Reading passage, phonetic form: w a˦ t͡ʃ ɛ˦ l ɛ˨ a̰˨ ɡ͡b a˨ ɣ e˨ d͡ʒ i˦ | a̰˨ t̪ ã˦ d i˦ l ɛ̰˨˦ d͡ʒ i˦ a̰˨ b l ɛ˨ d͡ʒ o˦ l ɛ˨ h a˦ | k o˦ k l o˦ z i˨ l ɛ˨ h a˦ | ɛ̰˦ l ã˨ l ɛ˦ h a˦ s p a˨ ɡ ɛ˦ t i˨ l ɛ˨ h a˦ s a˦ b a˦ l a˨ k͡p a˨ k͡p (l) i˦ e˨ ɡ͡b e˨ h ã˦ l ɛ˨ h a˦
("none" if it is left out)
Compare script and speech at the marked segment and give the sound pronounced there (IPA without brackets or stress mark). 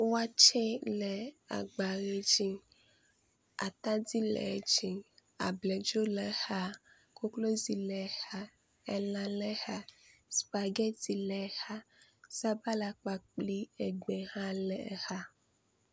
l